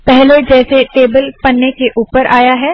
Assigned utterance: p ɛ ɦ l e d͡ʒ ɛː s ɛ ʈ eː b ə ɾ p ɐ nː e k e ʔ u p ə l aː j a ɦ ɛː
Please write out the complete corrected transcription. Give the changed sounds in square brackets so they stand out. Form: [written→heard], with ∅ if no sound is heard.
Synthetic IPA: p ɛ ɦ l e d͡ʒ ɛː s [ɛ→e] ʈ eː b ə [ɾ→l] p ɐ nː e k e ʔ [u→uː] p ə [l→ɾ] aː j a ɦ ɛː